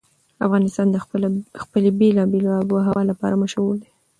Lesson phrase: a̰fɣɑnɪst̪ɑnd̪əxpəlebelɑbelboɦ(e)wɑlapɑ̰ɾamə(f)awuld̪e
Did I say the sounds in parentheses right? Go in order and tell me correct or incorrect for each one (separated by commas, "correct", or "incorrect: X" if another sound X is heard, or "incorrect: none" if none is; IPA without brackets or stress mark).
incorrect: a, incorrect: ʃ